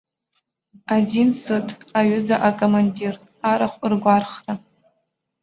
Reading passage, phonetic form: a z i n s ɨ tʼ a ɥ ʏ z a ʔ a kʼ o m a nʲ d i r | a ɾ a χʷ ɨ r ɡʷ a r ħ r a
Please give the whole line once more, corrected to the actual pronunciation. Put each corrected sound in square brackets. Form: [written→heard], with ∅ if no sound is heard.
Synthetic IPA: a z i n s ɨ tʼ a ɥ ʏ z a ʔ a kʼ o m a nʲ d i r | a ɾ a χʷ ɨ r ɡʷ a r [ħ→χ] r a